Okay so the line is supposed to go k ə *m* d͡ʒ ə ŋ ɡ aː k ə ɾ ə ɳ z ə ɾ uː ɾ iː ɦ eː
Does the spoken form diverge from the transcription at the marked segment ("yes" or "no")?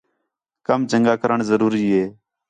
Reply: no